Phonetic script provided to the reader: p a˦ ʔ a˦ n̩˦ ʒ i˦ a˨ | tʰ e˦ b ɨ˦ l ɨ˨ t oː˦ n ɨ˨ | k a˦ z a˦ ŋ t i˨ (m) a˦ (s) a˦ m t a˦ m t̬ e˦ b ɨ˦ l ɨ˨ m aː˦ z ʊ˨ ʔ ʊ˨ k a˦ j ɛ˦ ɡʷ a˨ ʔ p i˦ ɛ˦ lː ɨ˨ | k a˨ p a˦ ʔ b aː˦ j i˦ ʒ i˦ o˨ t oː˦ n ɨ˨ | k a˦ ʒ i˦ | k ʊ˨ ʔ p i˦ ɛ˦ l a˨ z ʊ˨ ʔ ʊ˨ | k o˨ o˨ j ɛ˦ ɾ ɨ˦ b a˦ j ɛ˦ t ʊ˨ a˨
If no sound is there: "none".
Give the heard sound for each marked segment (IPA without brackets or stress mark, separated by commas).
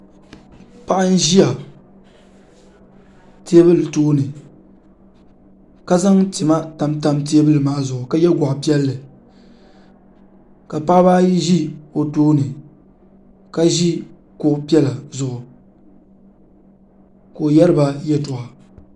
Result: m, t